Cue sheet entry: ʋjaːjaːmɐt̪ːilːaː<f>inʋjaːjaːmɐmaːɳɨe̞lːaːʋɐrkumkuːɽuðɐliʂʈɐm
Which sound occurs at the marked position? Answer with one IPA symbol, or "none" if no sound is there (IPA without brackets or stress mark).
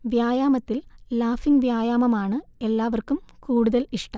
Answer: f